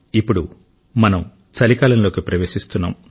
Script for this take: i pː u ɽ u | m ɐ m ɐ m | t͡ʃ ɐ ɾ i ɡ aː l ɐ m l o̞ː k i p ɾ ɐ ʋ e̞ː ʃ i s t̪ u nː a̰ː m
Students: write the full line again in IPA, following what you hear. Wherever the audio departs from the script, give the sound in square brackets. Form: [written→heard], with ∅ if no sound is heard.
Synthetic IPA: i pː u ɽ u | m ɐ [m→n] ɐ m | t͡ʃ ɐ [ɾ→l] i [ɡ→k] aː l ɐ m l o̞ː k i p ɾ ɐ ʋ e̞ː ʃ i s t̪ u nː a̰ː m